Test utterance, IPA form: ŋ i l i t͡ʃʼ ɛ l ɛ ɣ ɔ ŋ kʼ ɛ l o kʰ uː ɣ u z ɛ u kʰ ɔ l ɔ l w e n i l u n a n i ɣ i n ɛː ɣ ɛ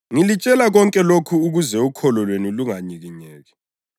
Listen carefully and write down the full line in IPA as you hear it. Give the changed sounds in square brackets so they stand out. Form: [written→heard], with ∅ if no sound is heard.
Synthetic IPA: ŋ i l i t͡ʃʼ ɛ l [ɛ→a] ɣ ɔ ŋ kʼ ɛ l o kʰ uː ɣ u z ɛ u kʰ ɔ l ɔ l w e n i l u [n→ŋ] a [n→ɲ] i ɣ i [n→ɲ] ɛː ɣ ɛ